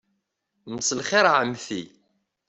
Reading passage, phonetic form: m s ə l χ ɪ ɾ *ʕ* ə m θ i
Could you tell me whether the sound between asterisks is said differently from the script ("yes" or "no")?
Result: no